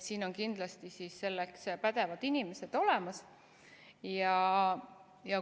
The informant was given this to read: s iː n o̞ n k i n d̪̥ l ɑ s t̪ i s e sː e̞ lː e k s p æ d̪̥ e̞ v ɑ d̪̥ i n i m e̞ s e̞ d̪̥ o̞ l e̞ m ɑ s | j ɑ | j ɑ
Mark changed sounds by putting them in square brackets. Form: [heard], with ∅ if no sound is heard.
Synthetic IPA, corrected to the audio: s iː n o̞ n k i n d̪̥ l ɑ s t̪ i s [i] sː e̞ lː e k s p æ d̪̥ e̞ v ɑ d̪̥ i n i m e̞ s e̞ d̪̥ o̞ l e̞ m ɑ s | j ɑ | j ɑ